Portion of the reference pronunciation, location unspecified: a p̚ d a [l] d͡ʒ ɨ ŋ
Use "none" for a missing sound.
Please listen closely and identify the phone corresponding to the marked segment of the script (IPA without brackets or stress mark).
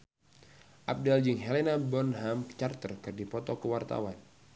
l